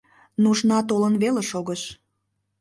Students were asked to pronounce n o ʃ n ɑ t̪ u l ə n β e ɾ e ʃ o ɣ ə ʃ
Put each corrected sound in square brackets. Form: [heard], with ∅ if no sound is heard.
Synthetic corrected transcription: n [u] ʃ n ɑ t̪ [o] l ə n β e [l] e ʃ o ɣ ə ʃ